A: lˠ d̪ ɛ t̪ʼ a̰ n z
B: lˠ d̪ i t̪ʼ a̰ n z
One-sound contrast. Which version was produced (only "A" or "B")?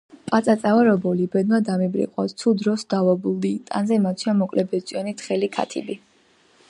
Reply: B